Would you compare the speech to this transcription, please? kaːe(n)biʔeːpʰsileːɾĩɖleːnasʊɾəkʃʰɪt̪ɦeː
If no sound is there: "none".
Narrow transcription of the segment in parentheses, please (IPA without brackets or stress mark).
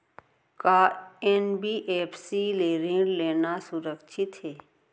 n